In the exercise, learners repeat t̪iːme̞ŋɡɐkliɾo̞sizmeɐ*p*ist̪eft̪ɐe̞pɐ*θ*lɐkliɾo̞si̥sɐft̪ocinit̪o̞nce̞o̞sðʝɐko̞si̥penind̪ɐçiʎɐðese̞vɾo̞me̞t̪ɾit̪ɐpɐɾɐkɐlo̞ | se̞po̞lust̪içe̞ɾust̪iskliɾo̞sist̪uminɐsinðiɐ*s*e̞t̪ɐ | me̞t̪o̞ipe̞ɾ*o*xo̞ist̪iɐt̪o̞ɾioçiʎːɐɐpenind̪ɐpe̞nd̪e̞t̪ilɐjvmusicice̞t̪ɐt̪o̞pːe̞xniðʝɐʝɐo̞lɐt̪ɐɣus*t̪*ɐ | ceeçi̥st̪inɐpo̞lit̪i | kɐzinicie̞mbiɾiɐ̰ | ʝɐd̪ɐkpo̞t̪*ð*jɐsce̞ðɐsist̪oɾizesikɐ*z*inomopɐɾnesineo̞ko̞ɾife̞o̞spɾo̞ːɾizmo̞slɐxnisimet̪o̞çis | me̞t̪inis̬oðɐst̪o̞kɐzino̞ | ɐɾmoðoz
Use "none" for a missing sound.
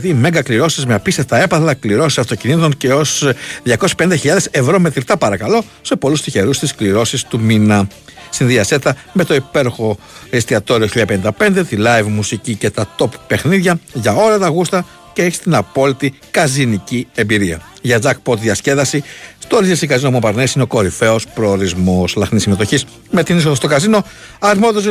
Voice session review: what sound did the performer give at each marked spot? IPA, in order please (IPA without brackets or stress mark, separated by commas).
p, θ, s, o, t̪, ð, z